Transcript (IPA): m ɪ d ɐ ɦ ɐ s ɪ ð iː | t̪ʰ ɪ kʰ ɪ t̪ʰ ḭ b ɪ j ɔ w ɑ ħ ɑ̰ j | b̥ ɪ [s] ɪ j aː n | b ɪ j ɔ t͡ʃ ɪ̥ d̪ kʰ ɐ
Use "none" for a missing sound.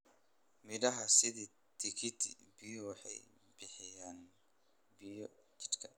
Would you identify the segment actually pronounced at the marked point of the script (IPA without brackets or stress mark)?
ħ